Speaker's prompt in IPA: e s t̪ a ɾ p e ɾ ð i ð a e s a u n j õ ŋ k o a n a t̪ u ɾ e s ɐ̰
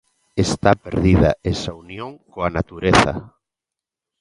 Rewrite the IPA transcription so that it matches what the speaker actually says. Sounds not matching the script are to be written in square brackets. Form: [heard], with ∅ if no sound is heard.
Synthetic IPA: e s t̪ a [∅] p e ɾ ð i ð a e s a u n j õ ŋ k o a n a t̪ u ɾ e [θ] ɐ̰